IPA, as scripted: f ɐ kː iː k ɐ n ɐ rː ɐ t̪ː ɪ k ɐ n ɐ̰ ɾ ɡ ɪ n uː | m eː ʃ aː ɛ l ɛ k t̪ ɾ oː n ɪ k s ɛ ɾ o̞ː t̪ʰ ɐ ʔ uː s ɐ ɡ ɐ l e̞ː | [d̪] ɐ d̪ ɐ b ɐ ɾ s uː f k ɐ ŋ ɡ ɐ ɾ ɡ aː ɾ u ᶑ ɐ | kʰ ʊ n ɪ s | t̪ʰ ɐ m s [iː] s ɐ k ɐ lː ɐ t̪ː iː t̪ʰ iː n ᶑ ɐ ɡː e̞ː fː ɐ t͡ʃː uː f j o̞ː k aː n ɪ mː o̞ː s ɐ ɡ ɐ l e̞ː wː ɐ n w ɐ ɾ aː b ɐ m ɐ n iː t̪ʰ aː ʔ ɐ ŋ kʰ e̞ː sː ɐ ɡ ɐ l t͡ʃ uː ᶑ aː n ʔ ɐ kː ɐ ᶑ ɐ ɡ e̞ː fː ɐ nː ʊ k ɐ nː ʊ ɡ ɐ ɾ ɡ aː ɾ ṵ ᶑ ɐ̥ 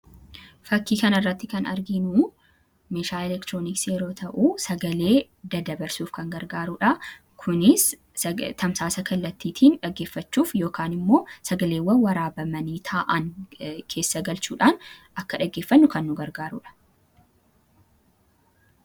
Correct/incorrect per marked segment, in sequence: correct, incorrect: aː

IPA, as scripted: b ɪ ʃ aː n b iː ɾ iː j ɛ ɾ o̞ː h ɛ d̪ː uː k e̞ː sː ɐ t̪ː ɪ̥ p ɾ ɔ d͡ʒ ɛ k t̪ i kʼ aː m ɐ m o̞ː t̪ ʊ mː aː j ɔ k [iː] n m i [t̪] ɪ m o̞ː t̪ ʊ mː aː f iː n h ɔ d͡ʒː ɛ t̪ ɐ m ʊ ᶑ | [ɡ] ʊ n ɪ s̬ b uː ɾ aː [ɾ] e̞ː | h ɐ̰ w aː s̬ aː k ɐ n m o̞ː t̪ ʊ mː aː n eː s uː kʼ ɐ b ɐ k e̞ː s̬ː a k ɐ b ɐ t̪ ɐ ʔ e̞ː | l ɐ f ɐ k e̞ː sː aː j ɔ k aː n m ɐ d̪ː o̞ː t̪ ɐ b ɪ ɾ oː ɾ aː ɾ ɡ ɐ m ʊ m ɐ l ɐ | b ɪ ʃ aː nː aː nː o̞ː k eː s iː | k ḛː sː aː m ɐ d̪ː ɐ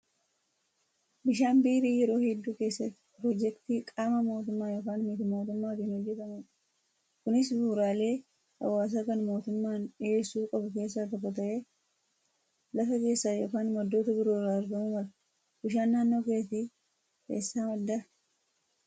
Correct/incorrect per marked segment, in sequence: incorrect: aː, correct, incorrect: k, incorrect: l

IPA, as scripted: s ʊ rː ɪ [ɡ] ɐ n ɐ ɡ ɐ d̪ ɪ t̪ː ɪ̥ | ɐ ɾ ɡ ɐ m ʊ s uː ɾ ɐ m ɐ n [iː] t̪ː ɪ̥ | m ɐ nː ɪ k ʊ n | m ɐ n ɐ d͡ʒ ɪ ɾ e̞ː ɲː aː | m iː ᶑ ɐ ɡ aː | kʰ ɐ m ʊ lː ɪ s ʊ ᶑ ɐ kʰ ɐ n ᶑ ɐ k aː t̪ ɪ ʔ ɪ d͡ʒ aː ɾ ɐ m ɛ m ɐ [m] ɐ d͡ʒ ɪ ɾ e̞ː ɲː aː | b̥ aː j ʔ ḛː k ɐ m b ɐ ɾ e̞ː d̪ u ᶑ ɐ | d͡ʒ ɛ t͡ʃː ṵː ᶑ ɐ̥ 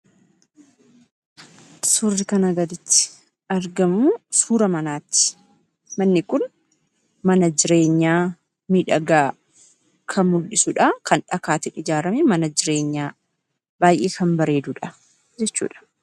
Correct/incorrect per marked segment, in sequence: incorrect: k, incorrect: aː, incorrect: n

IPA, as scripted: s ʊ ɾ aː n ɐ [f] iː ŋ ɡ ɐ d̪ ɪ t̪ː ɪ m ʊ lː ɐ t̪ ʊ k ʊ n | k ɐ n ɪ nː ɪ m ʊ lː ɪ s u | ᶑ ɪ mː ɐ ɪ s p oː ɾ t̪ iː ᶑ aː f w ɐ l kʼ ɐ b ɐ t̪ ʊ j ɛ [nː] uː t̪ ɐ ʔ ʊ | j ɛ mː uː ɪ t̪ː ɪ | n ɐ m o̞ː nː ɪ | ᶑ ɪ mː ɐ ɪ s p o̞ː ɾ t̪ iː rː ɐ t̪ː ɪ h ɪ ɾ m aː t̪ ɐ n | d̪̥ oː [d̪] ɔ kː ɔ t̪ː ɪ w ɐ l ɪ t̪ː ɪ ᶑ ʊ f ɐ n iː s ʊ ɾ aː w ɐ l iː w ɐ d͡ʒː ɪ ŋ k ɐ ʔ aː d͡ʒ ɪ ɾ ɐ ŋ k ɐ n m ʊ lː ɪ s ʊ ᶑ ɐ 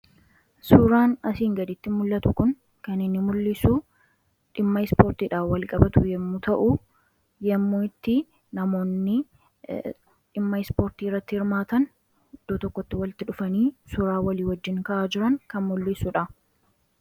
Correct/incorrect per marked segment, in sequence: incorrect: s, incorrect: mː, incorrect: t̪

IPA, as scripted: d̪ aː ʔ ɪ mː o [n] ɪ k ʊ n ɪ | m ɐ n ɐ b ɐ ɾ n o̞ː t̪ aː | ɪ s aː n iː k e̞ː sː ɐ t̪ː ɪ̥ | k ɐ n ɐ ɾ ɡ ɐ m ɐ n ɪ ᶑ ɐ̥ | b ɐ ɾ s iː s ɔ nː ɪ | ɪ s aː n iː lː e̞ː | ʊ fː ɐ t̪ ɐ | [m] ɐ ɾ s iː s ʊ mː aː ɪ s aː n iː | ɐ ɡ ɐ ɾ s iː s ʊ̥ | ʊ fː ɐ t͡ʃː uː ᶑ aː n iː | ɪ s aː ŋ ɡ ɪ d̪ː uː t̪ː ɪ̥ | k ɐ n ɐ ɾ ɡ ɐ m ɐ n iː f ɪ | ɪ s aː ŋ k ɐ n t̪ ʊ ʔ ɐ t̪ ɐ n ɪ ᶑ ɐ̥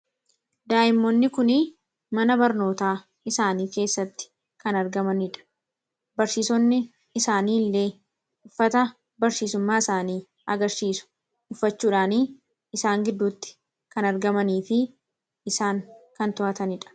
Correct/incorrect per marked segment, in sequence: incorrect: nː, incorrect: b

